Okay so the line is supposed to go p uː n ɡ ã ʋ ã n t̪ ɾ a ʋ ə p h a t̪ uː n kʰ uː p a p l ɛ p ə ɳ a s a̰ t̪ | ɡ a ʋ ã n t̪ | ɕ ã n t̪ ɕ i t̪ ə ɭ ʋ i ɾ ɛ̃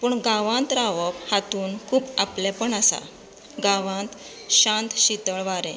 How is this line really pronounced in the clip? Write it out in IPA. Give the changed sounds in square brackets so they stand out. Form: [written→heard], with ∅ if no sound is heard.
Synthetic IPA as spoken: p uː [n→ɳ] ɡ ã ʋ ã n t̪ ɾ a ʋ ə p h a t̪ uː n kʰ uː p a p l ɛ p ə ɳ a s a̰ [t̪→∅] | ɡ a ʋ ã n t̪ | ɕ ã n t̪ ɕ i t̪ ə ɭ ʋ [i→a] ɾ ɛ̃

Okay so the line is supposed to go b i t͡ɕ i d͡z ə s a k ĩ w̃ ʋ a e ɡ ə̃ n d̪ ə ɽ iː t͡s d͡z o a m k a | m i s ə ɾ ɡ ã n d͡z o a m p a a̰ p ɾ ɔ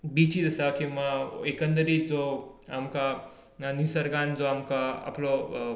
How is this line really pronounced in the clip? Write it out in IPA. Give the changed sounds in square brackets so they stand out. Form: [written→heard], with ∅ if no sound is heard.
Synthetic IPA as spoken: b i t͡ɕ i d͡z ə s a k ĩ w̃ ʋ a e [ɡ→k] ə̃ n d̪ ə [ɽ→ɾ] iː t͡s d͡z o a m k a | [m→n] i s ə ɾ ɡ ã n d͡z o a m [p→k] a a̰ p [ɾ→l] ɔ

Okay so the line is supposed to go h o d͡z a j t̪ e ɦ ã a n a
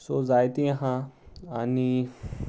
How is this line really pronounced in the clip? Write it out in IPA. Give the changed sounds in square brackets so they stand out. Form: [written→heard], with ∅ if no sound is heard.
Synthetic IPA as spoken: [h→s] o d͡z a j t̪ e ɦ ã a n [a→i]

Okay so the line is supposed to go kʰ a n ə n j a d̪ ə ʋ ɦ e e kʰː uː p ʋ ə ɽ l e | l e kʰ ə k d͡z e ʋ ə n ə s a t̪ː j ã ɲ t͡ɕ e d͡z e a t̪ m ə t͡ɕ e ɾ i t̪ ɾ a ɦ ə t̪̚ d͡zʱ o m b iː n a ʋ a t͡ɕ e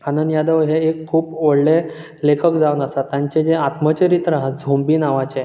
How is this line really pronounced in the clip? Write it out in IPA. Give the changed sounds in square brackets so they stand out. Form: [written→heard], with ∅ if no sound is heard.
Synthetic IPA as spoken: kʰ a n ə n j a d̪ ə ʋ ɦ e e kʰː uː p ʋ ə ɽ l e | l e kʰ ə k d͡z [e→a] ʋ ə n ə s a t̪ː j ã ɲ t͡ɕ e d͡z e a t̪ m ə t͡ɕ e ɾ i t̪ ɾ a ɦ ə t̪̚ d͡zʱ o m b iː n a ʋ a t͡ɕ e

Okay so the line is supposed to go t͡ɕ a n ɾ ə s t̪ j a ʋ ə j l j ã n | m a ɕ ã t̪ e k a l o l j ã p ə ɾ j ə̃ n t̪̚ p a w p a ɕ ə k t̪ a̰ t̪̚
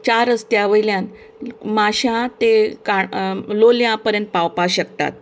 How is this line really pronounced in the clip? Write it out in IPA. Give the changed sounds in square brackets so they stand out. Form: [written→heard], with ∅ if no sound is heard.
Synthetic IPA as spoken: t͡ɕ a [n→∅] ɾ ə s t̪ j a ʋ ə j l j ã n | m a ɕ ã t̪ e k a l o l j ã p ə ɾ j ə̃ n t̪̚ p a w p a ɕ ə k t̪ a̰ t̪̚

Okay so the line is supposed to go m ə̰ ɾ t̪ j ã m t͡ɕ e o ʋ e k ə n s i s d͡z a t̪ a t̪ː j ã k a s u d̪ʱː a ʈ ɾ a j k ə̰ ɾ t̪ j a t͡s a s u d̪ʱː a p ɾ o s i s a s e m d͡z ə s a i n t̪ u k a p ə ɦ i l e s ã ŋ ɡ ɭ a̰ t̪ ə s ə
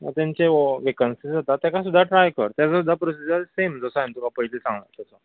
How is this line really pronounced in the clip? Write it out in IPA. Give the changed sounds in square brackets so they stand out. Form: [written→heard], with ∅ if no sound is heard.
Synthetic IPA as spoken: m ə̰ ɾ t̪ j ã [m→ɲ] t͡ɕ e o ʋ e k ə n s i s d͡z a t̪ a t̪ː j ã k a s u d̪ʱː a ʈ ɾ a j k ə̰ ɾ t̪ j a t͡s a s u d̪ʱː a p ɾ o s i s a s e m d͡z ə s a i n t̪ u k a p ə ɦ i l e s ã ŋ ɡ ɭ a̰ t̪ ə s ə

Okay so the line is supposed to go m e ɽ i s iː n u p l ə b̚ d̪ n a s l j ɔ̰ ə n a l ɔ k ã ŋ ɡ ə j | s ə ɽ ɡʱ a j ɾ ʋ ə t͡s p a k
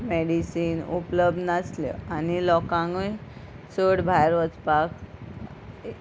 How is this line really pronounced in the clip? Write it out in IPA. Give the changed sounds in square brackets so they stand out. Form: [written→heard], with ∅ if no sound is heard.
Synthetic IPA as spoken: m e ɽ i s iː n u p l ə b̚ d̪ n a s l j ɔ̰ [ə→a] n [a→i] l ɔ k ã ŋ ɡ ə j | s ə ɽ [ɡʱ→bʱ] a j ɾ ʋ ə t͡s p a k

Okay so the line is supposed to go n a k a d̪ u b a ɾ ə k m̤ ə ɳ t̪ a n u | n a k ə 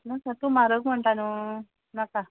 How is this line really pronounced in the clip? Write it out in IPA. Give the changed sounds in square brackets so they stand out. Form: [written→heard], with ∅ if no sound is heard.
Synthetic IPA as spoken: n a k a [d̪→t̪] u [b→m] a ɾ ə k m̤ ə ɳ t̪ a n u | n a k [ə→a]

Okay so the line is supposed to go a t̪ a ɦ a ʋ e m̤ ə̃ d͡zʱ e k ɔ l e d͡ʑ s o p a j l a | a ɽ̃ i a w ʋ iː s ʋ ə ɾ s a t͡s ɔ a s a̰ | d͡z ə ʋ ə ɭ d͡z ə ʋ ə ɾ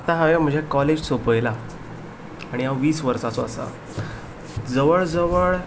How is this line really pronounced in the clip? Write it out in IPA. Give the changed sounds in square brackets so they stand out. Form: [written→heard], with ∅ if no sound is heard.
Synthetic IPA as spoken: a t̪ a ɦ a ʋ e m̤ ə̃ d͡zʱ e k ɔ l e d͡ʑ s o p [a→ə] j l a | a ɽ̃ i a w ʋ iː s ʋ ə ɾ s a t͡s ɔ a s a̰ | d͡z ə ʋ ə ɭ d͡z ə ʋ ə [ɾ→ɭ]

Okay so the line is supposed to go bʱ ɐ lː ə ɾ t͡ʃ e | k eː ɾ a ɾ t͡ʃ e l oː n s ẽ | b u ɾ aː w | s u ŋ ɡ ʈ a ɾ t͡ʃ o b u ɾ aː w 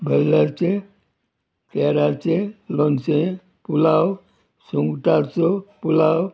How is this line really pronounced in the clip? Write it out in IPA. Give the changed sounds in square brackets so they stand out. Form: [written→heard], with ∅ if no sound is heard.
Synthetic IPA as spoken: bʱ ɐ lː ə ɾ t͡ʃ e | k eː ɾ a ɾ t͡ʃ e l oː n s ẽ | [b→p] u [ɾ→l] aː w | s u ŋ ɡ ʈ a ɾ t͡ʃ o [b→p] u [ɾ→l] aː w

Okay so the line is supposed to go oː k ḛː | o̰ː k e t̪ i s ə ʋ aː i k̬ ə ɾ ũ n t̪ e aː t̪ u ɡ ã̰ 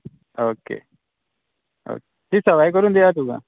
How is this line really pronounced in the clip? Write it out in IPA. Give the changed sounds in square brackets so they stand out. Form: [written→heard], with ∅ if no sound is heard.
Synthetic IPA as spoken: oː k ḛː | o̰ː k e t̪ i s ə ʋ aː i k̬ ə ɾ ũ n [t̪→d̪] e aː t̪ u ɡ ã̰

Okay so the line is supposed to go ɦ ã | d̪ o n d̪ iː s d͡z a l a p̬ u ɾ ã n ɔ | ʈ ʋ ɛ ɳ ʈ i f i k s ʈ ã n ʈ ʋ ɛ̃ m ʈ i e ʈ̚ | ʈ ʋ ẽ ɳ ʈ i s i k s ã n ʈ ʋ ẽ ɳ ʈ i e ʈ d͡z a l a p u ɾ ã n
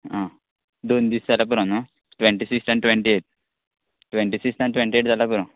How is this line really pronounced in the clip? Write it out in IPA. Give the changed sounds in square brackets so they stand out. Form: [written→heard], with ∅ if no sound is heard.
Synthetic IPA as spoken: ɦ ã | d̪ o n d̪ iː s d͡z a l a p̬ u ɾ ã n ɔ | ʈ ʋ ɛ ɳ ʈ i [f→s] i k s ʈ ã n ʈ ʋ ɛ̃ [m→ɳ] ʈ i e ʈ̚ | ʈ ʋ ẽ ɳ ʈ i s i k s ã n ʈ ʋ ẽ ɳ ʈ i e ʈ d͡z a l a p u ɾ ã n

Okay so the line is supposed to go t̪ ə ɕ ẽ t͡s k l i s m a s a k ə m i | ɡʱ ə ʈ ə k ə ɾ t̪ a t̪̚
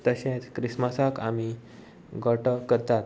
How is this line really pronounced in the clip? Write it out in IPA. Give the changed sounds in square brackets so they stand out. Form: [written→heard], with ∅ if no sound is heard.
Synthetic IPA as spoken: t̪ ə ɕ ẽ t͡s k [l→ɾ] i s m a s a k [ə→a] m i | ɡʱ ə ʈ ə k ə ɾ t̪ a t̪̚

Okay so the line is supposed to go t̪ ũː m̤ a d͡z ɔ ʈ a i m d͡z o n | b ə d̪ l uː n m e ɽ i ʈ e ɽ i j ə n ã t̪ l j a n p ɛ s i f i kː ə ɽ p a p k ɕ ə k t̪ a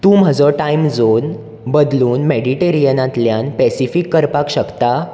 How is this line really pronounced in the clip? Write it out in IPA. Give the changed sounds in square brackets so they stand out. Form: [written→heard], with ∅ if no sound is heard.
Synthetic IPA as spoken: t̪ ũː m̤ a d͡z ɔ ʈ a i m d͡z o n | b ə d̪ l uː n m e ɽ i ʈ e [ɽ→ɾ] i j ə n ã t̪ l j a n p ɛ s i f i kː ə [ɽ→ɾ] p a [p→∅] k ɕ ə k t̪ a

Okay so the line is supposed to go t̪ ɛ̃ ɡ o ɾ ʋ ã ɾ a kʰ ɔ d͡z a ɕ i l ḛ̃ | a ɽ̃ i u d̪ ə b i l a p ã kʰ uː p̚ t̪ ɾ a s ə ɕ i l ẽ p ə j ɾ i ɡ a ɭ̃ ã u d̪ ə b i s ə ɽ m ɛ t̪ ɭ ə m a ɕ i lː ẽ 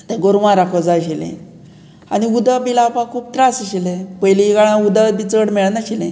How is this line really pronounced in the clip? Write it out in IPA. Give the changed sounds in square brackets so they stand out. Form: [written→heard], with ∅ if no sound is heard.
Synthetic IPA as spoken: t̪ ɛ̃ ɡ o ɾ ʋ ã ɾ a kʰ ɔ d͡z a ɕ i l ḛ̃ | a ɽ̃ i u d̪ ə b i l a p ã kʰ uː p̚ t̪ ɾ a s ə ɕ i l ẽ p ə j [ɾ→l] i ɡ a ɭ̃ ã u d̪ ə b i [s→t͡s] ə ɽ m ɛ [t̪→∅] ɭ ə [m→n] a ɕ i [lː→l] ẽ

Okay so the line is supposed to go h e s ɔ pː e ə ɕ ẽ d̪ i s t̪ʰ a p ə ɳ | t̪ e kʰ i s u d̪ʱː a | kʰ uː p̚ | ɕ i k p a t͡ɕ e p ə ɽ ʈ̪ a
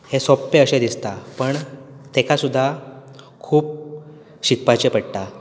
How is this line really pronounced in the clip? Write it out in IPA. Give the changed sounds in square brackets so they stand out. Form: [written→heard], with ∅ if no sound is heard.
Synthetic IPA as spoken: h e s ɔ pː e ə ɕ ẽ d̪ i s [t̪ʰ→t̪] a p ə ɳ | t̪ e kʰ [i→a] s u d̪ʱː a | kʰ uː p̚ | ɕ i k p a t͡ɕ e p ə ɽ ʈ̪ a

